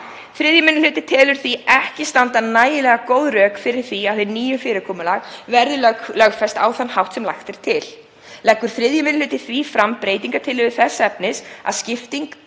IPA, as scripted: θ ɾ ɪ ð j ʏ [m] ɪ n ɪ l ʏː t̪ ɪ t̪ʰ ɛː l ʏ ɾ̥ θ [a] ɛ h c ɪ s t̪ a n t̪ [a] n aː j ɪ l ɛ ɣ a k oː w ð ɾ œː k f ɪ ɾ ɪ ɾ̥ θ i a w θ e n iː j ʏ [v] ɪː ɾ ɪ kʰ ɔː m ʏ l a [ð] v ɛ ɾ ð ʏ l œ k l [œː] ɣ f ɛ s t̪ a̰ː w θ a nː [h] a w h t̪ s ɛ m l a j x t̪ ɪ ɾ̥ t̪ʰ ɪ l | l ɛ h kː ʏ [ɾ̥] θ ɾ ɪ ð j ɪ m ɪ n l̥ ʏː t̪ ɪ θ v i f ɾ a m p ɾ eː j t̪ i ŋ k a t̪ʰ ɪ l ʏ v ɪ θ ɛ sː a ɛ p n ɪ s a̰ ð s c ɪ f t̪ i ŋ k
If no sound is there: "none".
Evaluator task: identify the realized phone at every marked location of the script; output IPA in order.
m, i, a, f, ɣ, œ, h, ɾ̥

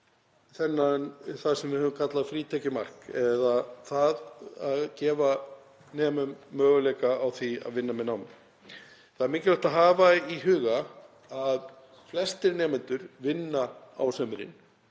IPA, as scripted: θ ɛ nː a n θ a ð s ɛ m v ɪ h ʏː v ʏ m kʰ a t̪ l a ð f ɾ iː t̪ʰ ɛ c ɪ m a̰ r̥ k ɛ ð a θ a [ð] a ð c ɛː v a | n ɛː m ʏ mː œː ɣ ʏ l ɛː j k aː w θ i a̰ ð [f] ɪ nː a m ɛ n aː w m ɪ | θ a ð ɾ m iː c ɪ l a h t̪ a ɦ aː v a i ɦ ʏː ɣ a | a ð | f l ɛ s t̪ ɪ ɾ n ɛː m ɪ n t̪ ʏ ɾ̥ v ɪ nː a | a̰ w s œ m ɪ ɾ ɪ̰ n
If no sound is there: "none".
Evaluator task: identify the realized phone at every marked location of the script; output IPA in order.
ð, v

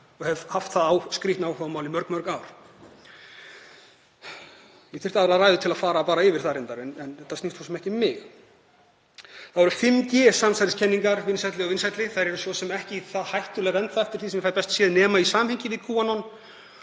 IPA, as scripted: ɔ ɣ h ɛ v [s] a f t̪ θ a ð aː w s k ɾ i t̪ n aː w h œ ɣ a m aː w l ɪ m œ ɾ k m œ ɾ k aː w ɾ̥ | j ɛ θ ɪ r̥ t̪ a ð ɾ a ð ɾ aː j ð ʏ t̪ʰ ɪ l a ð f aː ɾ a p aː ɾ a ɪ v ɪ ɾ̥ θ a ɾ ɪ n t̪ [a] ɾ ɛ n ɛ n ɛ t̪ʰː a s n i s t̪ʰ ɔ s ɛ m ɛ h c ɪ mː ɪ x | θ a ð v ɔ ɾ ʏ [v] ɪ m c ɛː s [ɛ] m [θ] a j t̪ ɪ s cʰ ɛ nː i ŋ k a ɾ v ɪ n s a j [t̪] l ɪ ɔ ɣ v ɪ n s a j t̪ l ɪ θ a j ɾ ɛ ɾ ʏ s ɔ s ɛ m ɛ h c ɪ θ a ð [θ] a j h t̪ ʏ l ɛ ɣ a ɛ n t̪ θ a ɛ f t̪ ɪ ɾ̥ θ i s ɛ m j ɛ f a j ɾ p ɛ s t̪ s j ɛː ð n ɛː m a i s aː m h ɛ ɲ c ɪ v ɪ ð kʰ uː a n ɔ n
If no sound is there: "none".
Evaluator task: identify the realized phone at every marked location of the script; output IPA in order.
h, a, f, a, s, t̪, h

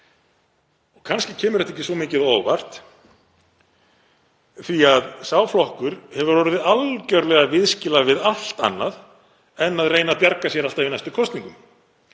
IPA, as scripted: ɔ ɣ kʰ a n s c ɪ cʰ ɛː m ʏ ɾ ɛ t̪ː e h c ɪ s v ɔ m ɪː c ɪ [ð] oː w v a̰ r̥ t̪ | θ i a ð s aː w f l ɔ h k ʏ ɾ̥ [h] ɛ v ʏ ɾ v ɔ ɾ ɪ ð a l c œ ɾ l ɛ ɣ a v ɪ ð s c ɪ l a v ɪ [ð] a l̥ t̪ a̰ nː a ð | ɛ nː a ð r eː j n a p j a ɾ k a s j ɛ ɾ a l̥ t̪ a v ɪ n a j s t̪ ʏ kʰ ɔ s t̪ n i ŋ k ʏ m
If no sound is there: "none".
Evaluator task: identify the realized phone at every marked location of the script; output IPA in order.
ð, h, ð

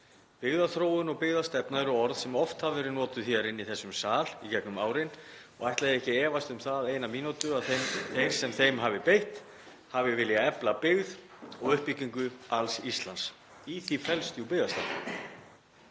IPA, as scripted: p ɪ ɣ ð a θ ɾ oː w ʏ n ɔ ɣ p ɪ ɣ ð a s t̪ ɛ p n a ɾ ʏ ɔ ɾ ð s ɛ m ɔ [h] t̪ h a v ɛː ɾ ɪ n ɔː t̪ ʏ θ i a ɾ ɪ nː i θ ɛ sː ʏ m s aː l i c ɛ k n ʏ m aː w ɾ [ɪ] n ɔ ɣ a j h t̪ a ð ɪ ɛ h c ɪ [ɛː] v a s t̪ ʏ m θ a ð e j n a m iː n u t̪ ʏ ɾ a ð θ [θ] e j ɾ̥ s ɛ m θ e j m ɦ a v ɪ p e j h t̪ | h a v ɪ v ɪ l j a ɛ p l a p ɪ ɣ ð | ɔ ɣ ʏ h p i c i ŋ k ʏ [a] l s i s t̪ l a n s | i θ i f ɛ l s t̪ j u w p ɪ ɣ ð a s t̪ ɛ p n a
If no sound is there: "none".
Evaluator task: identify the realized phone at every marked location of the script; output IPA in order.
f, ɪ, ɛː, θ, a

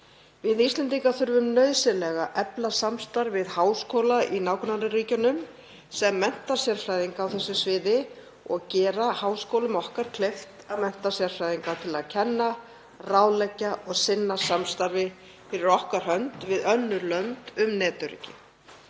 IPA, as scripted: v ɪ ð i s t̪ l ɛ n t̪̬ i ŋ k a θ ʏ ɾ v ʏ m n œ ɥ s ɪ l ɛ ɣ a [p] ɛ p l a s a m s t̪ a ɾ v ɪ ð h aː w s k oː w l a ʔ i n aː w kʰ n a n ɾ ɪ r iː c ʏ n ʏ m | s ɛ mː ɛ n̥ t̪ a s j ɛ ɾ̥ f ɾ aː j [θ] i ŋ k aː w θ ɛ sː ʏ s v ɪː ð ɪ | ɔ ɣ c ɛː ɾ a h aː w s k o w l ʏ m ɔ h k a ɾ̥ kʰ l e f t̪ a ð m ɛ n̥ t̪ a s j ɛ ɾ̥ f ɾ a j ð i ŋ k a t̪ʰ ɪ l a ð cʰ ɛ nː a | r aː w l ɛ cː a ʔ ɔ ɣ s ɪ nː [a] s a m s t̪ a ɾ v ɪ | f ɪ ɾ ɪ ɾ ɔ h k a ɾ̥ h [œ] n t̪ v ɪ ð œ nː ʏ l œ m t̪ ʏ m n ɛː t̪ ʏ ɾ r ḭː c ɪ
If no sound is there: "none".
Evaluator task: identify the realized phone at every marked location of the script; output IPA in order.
ʔ, ð, a, œ

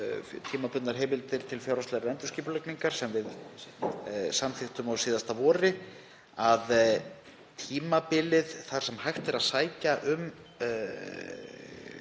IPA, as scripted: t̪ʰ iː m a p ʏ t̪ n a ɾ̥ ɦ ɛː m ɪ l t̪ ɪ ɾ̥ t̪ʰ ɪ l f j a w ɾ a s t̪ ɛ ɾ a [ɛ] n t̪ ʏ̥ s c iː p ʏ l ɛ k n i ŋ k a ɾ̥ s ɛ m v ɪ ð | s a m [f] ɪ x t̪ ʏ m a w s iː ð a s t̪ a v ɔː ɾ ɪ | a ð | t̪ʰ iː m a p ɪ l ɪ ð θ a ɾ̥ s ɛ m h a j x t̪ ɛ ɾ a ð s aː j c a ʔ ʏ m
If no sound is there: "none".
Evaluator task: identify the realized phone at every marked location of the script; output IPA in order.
ɛ, θ

